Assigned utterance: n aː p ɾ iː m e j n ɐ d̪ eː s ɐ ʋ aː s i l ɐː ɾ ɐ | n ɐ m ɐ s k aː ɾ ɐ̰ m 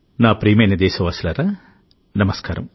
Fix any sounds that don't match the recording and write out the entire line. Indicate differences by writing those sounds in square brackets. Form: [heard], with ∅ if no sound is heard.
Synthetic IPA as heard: n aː p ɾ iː m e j n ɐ d̪ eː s ɐ ʋ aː s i l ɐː ɾ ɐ | n ɐ m ɐ s k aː ɾ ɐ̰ m